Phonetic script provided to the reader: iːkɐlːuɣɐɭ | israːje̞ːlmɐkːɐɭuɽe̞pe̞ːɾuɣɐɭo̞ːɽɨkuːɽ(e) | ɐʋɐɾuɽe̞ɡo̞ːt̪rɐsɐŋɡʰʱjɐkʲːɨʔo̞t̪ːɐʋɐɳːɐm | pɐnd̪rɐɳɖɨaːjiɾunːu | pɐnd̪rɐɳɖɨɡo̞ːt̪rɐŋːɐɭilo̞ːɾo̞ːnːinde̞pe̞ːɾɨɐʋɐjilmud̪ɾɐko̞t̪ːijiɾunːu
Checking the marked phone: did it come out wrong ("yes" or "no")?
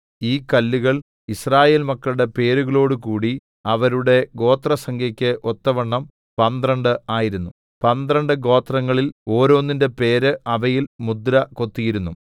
yes